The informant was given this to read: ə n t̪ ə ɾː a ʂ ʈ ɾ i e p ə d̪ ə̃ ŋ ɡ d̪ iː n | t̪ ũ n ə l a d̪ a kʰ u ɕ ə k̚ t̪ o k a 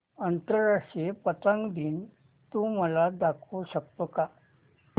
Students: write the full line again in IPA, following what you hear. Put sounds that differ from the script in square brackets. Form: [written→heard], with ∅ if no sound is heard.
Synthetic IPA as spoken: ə n t̪ ə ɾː a ʂ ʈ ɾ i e p ə [d̪→t̪] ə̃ ŋ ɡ d̪ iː n | t̪ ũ [n→m] ə l a d̪ a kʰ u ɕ ə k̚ t̪ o k a